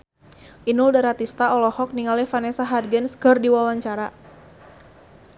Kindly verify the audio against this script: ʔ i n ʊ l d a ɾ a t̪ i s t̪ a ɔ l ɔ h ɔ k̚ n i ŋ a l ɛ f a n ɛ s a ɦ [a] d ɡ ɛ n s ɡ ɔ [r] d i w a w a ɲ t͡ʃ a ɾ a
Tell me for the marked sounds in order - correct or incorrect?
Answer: correct, correct

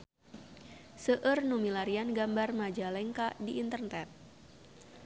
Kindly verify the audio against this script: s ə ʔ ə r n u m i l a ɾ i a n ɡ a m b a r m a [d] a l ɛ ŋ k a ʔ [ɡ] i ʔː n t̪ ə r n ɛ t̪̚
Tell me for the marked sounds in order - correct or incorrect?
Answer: incorrect: d͡ʒ, incorrect: d

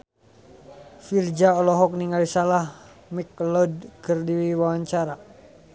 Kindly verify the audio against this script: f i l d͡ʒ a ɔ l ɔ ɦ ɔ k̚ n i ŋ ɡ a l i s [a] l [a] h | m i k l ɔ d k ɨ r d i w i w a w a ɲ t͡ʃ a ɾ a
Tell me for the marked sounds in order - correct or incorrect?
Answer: correct, correct

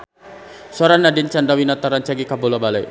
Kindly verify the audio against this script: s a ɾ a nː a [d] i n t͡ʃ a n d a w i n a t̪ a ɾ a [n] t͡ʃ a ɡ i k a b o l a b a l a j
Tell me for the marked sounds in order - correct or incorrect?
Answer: correct, correct

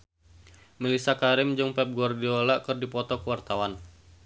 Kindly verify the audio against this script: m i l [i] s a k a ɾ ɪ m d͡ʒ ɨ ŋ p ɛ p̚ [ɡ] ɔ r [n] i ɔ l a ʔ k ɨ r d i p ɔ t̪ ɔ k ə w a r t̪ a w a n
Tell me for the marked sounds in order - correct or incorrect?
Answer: correct, correct, incorrect: d

